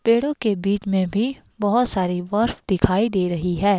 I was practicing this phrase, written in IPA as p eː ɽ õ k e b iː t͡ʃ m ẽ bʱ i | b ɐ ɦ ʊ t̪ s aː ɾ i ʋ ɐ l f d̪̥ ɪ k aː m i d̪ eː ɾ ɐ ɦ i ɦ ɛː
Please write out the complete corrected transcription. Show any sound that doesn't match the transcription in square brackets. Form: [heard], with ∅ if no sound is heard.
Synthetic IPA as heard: p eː ɽ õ k e b iː t͡ʃ m ẽ bʱ i | b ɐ ɦ ʊ t̪ s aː ɾ i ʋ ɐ [ɾ] f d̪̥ ɪ [kʰ] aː [∅] i d̪ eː ɾ ɐ ɦ i ɦ ɛː